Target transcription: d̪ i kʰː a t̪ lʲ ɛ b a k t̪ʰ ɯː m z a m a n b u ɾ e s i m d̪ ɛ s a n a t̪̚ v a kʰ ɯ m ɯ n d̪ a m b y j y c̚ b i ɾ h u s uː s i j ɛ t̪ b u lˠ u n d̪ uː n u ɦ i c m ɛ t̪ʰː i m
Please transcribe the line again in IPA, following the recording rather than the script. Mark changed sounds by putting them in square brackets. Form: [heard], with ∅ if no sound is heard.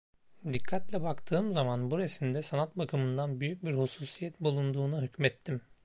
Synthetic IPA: d̪ i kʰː a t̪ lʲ ɛ b a k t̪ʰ ɯː m z a m a n b u ɾ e s i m d̪ ɛ s a n a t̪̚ [b] a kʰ ɯ m ɯ n d̪ a [n] b y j y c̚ b i ɾ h u s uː s i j ɛ t̪ b u lˠ u n d̪ uː n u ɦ [y] c m ɛ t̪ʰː i m